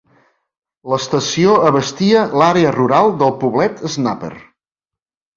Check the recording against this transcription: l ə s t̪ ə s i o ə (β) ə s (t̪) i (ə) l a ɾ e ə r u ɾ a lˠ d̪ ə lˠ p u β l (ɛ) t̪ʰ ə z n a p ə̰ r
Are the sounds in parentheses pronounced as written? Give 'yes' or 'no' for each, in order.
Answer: yes, yes, yes, yes

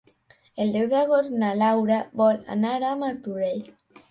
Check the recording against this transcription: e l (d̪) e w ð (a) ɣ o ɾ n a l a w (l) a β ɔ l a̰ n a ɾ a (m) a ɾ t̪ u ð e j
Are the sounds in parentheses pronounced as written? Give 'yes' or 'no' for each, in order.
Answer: yes, yes, no, yes

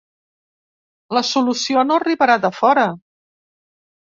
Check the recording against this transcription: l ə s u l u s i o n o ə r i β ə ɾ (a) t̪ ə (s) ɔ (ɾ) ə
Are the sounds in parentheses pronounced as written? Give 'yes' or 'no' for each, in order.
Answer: yes, no, yes

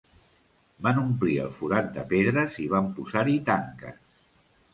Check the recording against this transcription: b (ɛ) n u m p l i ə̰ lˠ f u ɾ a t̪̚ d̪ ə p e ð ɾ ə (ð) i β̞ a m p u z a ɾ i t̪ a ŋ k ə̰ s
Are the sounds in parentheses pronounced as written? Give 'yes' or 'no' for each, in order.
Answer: no, no

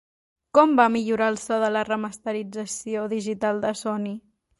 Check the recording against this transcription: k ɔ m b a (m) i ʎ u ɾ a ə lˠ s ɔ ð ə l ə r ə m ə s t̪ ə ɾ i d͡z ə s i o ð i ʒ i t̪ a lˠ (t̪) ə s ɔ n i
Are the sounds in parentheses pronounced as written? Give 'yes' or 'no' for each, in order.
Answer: yes, no

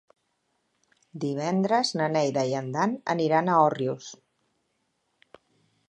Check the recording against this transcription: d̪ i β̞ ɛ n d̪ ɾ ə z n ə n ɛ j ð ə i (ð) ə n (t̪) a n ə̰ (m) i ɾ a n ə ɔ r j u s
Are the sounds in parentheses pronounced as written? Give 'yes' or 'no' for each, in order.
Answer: no, no, no

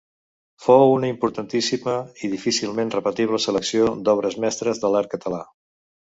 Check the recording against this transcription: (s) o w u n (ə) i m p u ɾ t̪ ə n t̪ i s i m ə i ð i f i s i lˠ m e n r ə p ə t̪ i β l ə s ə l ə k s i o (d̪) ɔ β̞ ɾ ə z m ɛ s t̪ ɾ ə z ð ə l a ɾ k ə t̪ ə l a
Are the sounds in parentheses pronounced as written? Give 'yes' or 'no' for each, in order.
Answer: no, yes, yes

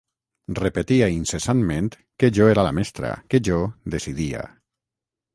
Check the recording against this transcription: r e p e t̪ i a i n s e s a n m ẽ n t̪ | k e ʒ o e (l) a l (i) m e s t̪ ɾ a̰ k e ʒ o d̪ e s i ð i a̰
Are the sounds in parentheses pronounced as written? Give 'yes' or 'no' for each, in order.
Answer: no, no

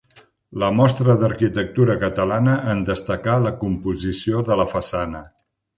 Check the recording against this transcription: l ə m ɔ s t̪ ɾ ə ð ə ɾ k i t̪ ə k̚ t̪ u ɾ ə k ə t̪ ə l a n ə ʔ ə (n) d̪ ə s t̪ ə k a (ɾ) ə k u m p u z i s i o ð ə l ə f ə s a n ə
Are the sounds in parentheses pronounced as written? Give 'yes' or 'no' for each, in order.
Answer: yes, no

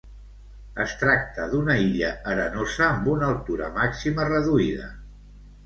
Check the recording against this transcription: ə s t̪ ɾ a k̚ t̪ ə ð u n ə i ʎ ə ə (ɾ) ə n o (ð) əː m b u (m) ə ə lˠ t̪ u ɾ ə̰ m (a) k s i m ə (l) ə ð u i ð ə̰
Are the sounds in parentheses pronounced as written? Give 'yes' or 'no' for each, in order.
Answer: yes, no, no, yes, no

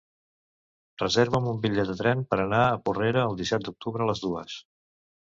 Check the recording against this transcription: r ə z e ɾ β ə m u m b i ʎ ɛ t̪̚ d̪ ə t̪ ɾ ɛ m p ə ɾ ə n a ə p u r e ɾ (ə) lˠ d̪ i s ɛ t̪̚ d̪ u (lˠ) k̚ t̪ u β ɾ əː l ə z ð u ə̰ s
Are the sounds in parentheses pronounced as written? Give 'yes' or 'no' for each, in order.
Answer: no, no

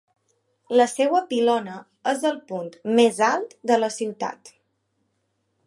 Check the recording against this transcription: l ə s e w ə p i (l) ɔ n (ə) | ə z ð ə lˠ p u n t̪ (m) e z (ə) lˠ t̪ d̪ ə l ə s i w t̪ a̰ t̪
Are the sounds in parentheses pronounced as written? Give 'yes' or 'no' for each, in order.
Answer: yes, yes, yes, no

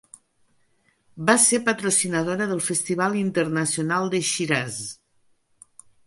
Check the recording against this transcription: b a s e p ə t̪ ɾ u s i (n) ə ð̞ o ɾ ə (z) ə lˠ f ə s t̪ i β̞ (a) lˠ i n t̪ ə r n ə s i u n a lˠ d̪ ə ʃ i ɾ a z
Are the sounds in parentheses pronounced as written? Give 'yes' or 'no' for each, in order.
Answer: yes, no, yes

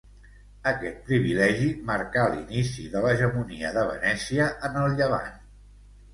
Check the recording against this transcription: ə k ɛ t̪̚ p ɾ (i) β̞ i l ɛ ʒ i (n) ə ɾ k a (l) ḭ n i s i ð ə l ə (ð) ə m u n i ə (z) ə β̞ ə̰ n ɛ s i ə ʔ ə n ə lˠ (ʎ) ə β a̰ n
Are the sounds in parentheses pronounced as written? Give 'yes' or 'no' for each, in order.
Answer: yes, no, yes, no, no, yes

